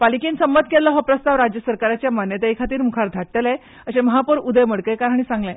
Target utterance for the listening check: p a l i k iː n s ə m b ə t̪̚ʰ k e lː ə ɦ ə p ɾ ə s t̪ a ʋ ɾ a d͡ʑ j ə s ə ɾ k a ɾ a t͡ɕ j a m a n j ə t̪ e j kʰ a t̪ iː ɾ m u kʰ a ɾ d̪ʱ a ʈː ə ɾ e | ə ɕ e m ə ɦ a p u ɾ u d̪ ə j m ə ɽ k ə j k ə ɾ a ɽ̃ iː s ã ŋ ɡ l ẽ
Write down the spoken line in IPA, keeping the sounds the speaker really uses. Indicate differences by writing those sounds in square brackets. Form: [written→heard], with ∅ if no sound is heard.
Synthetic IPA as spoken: p a l i k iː n s ə m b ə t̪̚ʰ k e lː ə ɦ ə p ɾ ə s t̪ a ʋ ɾ a d͡ʑ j ə s ə ɾ k a ɾ a t͡ɕ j a m a n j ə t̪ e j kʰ a t̪ iː ɾ m u kʰ a ɾ d̪ʱ a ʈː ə [ɾ→l] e | ə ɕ e m ə ɦ a p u ɾ u d̪ ə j m ə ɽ k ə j k [ə→a] ɾ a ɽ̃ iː s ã ŋ ɡ l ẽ

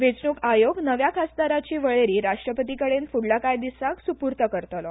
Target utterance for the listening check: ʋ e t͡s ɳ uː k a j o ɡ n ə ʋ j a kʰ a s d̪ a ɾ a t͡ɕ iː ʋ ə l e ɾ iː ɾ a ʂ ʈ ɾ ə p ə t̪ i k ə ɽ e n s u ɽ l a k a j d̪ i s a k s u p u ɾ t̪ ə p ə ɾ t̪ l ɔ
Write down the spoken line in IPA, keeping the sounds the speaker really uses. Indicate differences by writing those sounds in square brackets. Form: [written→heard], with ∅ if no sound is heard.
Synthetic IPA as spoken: ʋ e t͡s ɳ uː k a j o ɡ n ə ʋ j a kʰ a s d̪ a ɾ a t͡ɕ iː ʋ ə [l→ɭ] e ɾ iː ɾ a ʂ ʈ ɾ ə p ə t̪ i k ə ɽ e n [s→f] u ɽ l a k a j d̪ i s a k s u p u ɾ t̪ ə [p→k] ə ɾ t̪ l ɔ

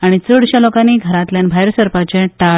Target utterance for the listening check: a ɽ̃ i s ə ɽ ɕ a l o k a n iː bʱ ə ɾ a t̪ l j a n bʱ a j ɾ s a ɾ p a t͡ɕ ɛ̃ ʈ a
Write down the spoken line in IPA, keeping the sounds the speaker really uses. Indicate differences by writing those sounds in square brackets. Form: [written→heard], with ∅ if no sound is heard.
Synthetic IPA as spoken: a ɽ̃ i [s→t͡s] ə ɽ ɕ a l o k a n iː [bʱ→ɡʱ] ə ɾ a t̪ l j a n bʱ a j ɾ s [a→ə] ɾ p a t͡ɕ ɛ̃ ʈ a

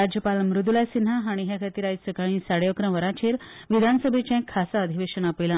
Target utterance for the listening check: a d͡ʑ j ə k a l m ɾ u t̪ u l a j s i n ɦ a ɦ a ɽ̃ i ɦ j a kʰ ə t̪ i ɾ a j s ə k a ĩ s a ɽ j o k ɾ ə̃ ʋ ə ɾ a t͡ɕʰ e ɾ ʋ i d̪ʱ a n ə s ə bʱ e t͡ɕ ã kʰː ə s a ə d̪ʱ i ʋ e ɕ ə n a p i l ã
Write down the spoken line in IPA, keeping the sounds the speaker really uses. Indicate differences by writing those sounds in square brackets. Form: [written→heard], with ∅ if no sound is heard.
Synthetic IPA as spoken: a d͡ʑ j ə [k→p] a l m ɾ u [t̪→d̪] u l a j s i n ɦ a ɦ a ɽ̃ i ɦ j a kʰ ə t̪ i ɾ a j s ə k a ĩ s a ɽ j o k ɾ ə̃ ʋ ə ɾ a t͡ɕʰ e ɾ ʋ i d̪ʱ a n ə s ə bʱ e t͡ɕ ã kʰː [ə→a] s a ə d̪ʱ i ʋ e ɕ ə n a p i l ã

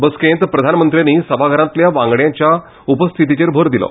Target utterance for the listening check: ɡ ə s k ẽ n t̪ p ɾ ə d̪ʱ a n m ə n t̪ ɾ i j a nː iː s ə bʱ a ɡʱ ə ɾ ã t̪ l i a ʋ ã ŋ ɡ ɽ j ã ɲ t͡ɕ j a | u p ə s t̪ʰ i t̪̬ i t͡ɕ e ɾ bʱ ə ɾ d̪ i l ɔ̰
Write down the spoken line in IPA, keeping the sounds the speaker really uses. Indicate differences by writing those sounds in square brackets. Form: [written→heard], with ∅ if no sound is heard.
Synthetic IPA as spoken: [ɡ→b] ə s k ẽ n t̪ p ɾ ə d̪ʱ a n m ə n t̪ ɾ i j a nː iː s ə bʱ a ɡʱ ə ɾ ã t̪ l [i→j] a ʋ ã ŋ ɡ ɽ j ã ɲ t͡ɕ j a | u p ə s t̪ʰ i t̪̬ i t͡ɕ e ɾ bʱ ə ɾ d̪ i l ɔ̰

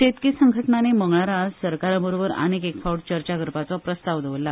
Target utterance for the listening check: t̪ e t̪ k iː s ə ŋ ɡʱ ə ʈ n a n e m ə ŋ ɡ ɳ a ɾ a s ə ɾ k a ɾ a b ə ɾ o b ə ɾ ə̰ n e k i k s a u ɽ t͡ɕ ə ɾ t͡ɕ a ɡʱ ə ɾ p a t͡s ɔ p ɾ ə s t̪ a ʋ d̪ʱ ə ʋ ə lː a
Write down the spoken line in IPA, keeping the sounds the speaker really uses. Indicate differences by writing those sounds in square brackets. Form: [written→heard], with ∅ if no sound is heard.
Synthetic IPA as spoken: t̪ e t̪ k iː s ə ŋ ɡʱ ə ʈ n a n e m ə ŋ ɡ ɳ a ɾ a s ə ɾ k a ɾ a b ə ɾ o b ə ɾ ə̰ n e k [i→e] k [s→f] a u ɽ t͡ɕ ə ɾ t͡ɕ a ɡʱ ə ɾ p a t͡s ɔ p ɾ ə s t̪ a ʋ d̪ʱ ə ʋ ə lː a

